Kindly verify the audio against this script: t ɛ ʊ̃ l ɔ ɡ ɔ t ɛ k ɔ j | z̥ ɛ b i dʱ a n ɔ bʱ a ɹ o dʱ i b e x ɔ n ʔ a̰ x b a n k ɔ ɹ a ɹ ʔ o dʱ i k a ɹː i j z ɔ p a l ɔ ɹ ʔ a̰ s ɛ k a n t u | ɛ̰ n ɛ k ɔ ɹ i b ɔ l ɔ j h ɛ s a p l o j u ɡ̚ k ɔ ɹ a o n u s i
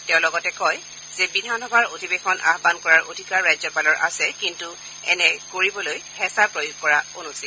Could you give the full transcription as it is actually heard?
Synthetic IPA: t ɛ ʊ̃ l ɔ ɡ ɔ t ɛ k ɔ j | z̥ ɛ b i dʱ a n ɔ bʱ a ɹ o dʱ i b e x ɔ n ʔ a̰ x b a n k ɔ ɹ a ɹ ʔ o dʱ i k a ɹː a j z ɔ p a l ɔ ɹ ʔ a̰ s ɛ k i n t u | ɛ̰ n ɛ k o ɹ i b ɔ l o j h ɛ s a p ɹ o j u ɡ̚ k ɔ ɹ a o n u s i

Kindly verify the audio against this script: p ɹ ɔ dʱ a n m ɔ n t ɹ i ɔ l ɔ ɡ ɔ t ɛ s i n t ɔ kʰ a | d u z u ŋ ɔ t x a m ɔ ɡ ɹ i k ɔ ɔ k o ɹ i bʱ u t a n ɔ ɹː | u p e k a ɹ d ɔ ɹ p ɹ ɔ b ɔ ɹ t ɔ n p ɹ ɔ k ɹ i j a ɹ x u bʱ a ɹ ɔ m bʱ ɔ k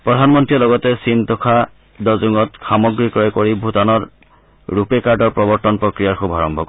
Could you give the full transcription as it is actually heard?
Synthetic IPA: p ɹ ɔ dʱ a n m ɔ n t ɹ i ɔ l ɔ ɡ ɔ t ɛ s i n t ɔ kʰ a | d ɔ z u ŋ ɔ t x a m ɔ ɡ ɹ i k ɔ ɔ k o ɹ i bʱ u t a n ɔ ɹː | u p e k a ɹ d ɔ ɹ p ɹ ɔ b ɔ ɹ t ɔ n p ɹ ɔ k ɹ i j a ɹ x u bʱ a ɹ ɔ m bʱ ɔ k

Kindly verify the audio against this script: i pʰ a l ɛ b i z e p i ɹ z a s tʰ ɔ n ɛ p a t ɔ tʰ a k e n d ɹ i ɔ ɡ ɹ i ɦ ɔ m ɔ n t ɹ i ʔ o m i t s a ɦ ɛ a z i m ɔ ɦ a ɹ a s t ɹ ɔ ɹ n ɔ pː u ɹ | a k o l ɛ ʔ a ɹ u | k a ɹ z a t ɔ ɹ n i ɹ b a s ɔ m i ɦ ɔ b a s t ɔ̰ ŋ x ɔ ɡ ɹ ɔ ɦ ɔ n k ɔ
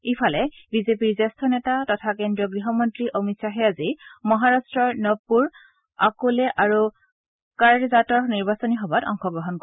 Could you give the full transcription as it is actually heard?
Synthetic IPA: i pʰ a l ɛ b i z e p i ɹ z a s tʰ ɔ n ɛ t a t ɔ tʰ a k e n d ɹ i ɔ ɡ ɹ i ɦ ɔ m ɔ n t ɹ i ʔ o m i t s a ɦ ɛ a z i m ɔ ɦ a ɹ a s t ɹ ɔ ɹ n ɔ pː u ɹ | a k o l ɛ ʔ a ɹ u | k a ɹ z a t ɔ ɹ n i ɹ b a s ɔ n i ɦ ɔ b a t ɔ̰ ŋ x ɔ ɡ ɹ ɔ ɦ ɔ n k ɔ

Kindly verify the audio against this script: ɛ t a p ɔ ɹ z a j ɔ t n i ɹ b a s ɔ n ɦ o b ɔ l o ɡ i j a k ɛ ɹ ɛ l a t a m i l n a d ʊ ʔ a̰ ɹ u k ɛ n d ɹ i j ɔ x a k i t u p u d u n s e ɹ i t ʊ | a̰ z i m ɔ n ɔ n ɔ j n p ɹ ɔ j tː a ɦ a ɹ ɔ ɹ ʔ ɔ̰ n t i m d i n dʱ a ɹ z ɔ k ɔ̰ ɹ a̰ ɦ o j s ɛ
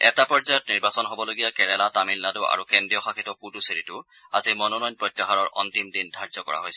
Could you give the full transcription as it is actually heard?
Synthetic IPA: ɛ t a p ɔ ɹ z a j ɔ t n i ɹ b a s ɔ n ɦ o b ɔ l o ɡ i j a k ɛ ɹ ɛ l a t a m i l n a d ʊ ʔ a̰ ɹ u k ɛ n d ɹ i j ɔ x a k i t ɔ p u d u s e ɹ i t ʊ | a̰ z i m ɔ n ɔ n ɔ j n p ɹ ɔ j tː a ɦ a ɹ ɔ ɹ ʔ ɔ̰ n t i m d i n dʱ a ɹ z ɔ k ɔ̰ ɹ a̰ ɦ o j s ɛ

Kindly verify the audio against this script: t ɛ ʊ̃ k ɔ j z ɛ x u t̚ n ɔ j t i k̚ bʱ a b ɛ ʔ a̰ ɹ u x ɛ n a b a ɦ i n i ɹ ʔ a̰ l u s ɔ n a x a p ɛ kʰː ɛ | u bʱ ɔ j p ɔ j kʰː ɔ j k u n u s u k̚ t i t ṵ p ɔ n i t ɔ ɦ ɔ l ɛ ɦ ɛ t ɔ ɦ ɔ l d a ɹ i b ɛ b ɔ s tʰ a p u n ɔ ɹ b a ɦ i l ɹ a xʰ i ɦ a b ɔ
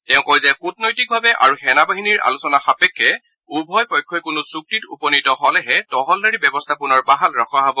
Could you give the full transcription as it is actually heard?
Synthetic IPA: t ɛ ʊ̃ k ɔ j z ɛ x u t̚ n ɔ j t i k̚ bʱ a b ɛ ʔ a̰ ɹ u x ɛ n a b a ɦ i n i ɹ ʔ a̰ l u s ɔ n a x a p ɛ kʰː ɛ | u bʱ ɔ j p ɔ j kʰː ɔ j k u n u s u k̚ t i t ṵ p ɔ n i t ɔ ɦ ɔ l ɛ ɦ ɛ t ɔ ɦ ɔ l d a ɹ i b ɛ b ɔ s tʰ a p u n ɔ ɹ b a ɦ a l ɹ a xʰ a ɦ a b ɔ

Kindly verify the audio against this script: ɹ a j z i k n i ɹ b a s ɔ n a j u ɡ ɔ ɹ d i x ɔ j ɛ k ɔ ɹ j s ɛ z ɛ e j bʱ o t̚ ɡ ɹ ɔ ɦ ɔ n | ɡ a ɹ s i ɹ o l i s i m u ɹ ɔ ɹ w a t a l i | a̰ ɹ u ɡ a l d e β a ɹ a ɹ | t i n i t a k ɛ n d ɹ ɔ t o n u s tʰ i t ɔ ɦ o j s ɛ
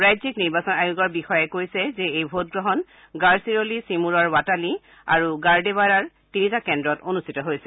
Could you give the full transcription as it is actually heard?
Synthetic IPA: ɹ a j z i k n i ɹ b a s ɔ n a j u ɡ ɔ ɹ b i x ɔ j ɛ k o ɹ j s ɛ z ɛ e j bʱ o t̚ ɡ ɹ ɔ ɦ ɔ n | ɡ a ɹ s i ɹ o l i s i m u ɹ ɔ ɹ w a t a l i | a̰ ɹ u ɡ a ɹ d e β a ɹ a ɹ | t i n i t a k ɛ n d ɹ ɔ t o n u s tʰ i t ɔ ɦ o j s ɛ

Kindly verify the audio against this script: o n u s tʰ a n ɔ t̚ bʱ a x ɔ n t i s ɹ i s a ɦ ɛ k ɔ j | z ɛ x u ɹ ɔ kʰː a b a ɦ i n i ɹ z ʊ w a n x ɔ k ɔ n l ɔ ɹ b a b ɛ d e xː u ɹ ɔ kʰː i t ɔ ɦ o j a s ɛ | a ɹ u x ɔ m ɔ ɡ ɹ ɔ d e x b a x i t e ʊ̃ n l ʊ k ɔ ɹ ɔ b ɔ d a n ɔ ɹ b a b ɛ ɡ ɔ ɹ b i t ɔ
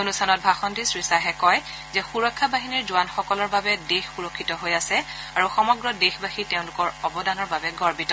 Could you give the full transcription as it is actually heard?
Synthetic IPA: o n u s tʰ a n ɔ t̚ bʱ a x ɔ n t i s ɹ i s a ɦ ɛ k ɔ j | z ɛ x u ɹ ɔ kʰː a b a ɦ i n i ɹ z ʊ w a n x ɔ k ɔ l ɔ ɹ b a b ɛ d e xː u ɹ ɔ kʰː i t ɔ ɦ o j a s ɛ | a ɹ u x ɔ m ɔ ɡ ɹ ɔ d e x b a x i t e ʊ̃ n l ʊ k ɔ ɹ ɔ b ɔ d a n ɔ ɹ b a b ɛ ɡ ɔ ɹ b i t ɔ

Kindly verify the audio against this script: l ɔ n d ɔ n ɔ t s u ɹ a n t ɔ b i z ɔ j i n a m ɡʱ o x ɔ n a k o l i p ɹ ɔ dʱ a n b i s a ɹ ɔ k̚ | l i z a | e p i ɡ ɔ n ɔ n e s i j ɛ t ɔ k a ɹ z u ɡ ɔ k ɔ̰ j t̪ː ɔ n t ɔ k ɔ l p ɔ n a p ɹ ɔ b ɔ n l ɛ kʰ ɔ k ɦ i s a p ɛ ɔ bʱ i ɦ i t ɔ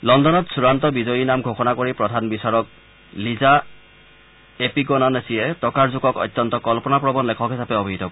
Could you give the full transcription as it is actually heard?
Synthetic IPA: l ɔ n d ɔ n ɔ t s u ɹ a n t ɔ b i z ɔ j i n a m ɡʱ o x ɔ n a k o ɹ i p ɹ ɔ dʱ a n b i s a ɹ ɔ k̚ | l i z a | e p i ɡ ɔ n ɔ n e s i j ɛ t ɔ k a ɹ z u ɡ ɔ k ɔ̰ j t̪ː ɔ n t ɔ k ɔ l p ɔ n a p ɹ ɔ b ɔ n l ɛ kʰ ɔ k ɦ i s a p ɛ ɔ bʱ i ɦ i t ɔ

